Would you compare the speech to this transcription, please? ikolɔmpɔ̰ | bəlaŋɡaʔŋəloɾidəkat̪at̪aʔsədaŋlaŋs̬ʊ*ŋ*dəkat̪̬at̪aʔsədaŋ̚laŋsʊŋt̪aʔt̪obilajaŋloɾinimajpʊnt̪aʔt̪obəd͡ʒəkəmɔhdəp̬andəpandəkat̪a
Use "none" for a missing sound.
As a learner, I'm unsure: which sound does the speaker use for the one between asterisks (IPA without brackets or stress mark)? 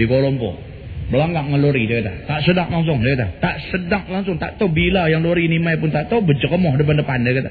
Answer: ŋ